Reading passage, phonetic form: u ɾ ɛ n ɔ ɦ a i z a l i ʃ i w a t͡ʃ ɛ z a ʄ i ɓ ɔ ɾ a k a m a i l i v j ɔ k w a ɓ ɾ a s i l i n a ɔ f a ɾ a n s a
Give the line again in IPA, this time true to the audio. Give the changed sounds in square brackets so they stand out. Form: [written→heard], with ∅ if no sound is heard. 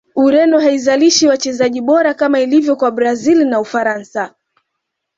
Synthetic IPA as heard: u ɾ ɛ n ɔ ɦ a i z a l i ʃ i w a t͡ʃ ɛ z a ʄ i ɓ ɔ ɾ a k a m a i l i v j ɔ k w a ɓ ɾ a [s→z] i l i n a [ɔ→u] f a ɾ a n s a

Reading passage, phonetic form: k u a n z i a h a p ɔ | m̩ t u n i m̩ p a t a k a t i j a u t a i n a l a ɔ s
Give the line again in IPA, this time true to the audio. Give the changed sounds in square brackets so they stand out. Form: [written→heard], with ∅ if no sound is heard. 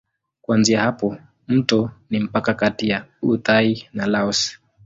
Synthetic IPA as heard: k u a n z i a h a p ɔ | m̩ t [u→ɔ] n i m̩ p a [t→k] a k a t i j a u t a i n a l a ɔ s

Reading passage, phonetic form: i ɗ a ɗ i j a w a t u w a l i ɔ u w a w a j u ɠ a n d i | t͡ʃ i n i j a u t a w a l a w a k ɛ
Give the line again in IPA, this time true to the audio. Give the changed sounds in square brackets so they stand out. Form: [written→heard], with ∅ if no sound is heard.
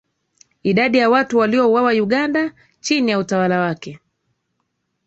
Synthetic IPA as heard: i ɗ a ɗ i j a w a t u w a l i ɔ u w a w a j u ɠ a n d [i→a] | t͡ʃ i n i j a u t a w a l a w a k ɛ

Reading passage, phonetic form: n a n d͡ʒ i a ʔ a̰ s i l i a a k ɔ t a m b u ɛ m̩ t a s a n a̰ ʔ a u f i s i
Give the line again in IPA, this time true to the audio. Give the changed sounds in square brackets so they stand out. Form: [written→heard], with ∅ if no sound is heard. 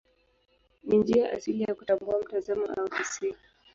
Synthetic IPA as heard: n [a→i] n d͡ʒ i a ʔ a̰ s i l i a a k [ɔ→u] t a m b u [ɛ→a] m̩ t a [s→z] a [n→m] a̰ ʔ a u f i s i

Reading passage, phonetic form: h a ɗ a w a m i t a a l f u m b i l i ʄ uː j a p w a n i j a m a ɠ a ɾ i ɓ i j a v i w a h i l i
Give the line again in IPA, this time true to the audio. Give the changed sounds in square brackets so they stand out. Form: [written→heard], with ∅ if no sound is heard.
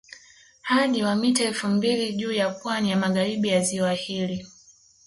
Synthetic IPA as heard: h a ɗ [a→i] w a m i t a [a→ɛ] l f u m b i l i ʄ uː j a p w a n i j a m a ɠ a ɾ i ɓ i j a [v→z] i w a h i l i

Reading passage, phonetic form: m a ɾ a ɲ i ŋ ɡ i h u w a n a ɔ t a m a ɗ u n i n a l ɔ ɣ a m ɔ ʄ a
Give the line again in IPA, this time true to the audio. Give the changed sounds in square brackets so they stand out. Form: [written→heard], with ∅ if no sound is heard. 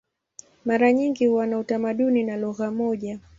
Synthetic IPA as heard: m a ɾ a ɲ i ŋ ɡ i h u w a n a [ɔ→u] t a m a ɗ u n i n a l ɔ ɣ a m ɔ ʄ a

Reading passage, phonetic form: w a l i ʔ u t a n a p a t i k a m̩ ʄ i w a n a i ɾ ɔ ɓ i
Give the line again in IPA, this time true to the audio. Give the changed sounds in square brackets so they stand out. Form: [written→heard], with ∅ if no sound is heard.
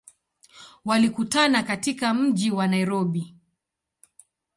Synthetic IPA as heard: w a l i [ʔ→k] u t a n a [p→k] a t i k a m̩ ʄ i w a n a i ɾ ɔ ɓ i

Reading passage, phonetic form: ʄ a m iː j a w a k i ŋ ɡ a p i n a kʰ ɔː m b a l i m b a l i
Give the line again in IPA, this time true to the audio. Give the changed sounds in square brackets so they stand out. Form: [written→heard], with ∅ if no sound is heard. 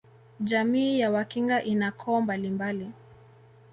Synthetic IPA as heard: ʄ a m iː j a w a k i ŋ ɡ a [p→ʔ] i n a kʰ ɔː m b a l i m b a l i

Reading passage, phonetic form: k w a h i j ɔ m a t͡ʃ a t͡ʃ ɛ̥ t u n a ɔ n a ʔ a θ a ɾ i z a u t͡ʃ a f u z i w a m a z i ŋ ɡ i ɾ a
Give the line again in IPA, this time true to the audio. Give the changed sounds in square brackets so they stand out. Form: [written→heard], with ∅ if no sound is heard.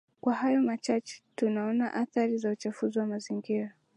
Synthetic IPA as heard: k w a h [i→a] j ɔ m a t͡ʃ a t͡ʃ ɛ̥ t u n a ɔ n a ʔ a θ a ɾ i z a u t͡ʃ a f u z i w a m a z i ŋ ɡ i ɾ a

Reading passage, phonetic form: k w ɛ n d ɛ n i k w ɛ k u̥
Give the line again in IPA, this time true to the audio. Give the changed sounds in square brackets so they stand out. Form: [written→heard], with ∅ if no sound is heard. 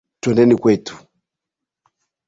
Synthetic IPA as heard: [k→t] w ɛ n d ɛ n i k w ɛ [k→t] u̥

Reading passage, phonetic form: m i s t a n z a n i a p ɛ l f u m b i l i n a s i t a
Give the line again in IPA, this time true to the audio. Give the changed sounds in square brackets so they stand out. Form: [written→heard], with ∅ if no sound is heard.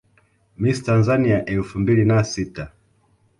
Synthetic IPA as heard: m i s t a n z a n i a [p→ʔ] ɛ l f u m b i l i n a s i t a

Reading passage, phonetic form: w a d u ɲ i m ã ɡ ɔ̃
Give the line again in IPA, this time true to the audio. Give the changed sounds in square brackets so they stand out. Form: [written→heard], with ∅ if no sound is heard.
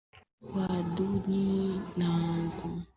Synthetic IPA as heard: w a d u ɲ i [m→n] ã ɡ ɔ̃

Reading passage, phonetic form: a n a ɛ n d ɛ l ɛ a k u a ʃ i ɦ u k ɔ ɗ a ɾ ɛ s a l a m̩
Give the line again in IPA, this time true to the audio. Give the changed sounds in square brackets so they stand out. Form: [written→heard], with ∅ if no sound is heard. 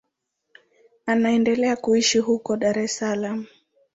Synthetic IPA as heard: a n a ɛ n d ɛ l ɛ a k u [a→i] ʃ i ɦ u k ɔ ɗ a ɾ ɛ s a l a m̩

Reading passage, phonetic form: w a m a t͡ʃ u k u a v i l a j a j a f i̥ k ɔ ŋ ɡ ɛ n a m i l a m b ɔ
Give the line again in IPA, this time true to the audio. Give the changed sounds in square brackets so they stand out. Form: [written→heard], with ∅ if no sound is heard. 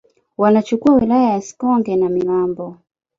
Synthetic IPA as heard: w a [m→n] a t͡ʃ u k u a [v→w] i l a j a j a [f→s] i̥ k ɔ ŋ ɡ ɛ n a m i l a m b ɔ

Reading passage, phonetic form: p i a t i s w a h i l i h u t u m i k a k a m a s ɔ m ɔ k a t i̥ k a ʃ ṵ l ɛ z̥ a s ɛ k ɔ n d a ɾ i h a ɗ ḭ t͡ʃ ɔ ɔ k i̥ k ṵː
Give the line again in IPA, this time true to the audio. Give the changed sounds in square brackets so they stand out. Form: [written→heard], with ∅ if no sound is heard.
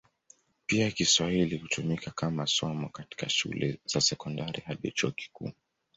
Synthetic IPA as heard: p i a [t→k] i s w a h i l i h u t u m i k a k a m a s ɔ m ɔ k a t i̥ k a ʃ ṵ l ɛ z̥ a s ɛ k ɔ n d a ɾ i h a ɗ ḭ t͡ʃ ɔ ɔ k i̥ k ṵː

